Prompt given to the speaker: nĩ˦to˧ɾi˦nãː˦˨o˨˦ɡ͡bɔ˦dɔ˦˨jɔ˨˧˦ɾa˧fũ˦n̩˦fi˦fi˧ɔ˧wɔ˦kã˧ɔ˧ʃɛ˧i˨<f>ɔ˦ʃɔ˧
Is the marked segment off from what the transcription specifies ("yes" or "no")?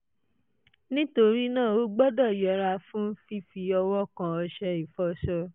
no